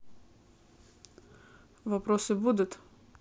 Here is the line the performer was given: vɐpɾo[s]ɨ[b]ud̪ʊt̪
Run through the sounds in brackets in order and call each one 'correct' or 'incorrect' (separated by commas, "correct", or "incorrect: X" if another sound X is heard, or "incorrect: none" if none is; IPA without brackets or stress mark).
correct, correct